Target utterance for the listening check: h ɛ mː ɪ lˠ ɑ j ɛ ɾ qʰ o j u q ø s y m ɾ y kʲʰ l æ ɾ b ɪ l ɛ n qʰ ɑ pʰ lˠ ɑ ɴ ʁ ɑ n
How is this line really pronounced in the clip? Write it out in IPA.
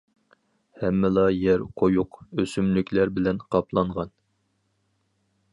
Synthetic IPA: h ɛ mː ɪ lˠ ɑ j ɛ ɾ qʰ o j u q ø s y m l y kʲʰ l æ ɾ b ɪ l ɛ n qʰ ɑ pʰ lˠ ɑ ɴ ʁ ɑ n